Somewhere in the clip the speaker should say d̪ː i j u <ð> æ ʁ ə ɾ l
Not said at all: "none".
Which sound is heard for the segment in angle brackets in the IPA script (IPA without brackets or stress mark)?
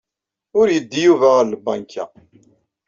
v